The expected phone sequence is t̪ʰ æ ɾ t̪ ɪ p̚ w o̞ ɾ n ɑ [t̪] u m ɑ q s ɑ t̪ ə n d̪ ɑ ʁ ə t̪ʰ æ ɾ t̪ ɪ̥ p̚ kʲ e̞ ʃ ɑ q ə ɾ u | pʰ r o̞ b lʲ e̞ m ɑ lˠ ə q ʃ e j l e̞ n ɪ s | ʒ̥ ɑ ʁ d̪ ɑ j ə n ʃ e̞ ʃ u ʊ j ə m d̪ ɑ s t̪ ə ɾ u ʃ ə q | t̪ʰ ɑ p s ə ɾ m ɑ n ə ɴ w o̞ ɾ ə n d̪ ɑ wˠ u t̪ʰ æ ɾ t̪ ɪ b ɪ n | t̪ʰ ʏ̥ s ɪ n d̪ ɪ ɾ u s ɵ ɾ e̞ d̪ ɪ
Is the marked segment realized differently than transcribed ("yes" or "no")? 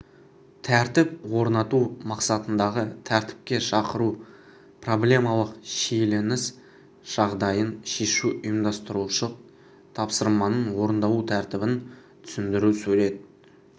no